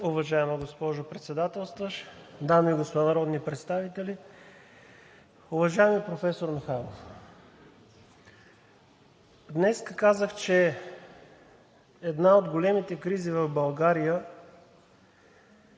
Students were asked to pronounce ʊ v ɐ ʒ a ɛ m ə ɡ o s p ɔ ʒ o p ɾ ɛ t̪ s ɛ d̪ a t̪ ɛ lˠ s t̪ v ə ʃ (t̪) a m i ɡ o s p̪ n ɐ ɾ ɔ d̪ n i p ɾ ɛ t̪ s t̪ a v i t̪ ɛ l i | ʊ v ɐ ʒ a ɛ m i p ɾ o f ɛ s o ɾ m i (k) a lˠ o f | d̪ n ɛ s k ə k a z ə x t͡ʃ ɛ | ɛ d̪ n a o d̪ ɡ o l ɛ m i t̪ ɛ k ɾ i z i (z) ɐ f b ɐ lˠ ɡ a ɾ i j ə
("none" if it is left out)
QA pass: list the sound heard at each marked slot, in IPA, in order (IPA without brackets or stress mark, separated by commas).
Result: d̪, x, v